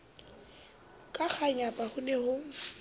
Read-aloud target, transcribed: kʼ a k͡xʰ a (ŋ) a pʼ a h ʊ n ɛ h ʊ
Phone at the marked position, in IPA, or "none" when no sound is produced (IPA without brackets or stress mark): ɲ